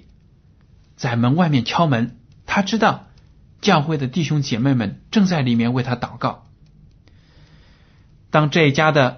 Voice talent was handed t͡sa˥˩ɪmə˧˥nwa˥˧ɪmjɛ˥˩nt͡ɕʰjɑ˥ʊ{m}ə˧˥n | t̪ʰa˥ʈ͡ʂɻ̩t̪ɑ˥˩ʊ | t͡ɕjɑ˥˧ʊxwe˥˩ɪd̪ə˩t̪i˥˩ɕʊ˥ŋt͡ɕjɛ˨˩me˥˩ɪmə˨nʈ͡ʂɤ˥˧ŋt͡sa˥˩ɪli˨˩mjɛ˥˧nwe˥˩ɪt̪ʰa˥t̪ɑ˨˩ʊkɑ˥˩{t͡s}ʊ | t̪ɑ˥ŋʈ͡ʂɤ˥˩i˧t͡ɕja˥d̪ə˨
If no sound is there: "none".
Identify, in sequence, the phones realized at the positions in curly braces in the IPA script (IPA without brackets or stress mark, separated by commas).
m, none